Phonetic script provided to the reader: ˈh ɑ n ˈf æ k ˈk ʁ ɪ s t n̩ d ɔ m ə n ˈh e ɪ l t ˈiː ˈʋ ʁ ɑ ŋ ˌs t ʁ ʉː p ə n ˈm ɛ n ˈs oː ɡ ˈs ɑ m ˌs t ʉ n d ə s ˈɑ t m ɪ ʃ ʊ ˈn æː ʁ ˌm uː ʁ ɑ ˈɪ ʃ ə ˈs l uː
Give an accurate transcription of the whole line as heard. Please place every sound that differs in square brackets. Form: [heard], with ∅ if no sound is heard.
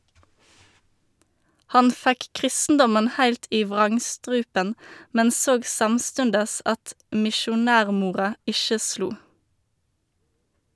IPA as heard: ˈh ɑ n ˈf æ k ˈk ʁ ɪ s t n̩ d ɔ m ə n ˈh [æ] ɪ l t ˈiː ˈʋ ʁ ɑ ŋ ˌs t ʁ ʉː p ə n ˈm ɛ n ˈs oː ɡ ˈs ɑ m ˌs t ʉ n d ə s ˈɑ t m ɪ ʃ ʊ ˈn æː ʁ ˌm uː ʁ ɑ ˈɪ ʃ ə ˈs l uː